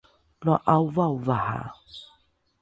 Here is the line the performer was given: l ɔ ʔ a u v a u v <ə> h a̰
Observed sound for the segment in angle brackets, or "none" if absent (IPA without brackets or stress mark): a